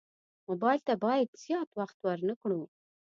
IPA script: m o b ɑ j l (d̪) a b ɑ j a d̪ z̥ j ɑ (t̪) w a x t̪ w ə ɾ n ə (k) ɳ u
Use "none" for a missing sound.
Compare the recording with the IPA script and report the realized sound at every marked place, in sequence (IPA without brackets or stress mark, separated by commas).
t̪, t̪, k